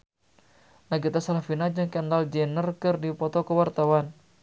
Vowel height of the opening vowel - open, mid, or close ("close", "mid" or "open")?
open